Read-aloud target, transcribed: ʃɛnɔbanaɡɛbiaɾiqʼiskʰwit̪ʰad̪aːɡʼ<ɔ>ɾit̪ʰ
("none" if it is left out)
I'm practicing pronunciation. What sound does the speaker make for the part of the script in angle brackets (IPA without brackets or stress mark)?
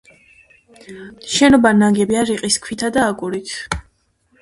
u